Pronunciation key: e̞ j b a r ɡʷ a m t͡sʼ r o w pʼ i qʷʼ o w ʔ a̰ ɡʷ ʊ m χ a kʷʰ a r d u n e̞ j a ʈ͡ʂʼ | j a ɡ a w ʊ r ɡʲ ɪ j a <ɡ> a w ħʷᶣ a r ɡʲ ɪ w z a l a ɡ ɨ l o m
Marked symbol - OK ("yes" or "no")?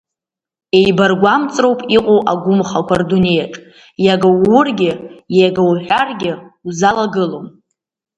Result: yes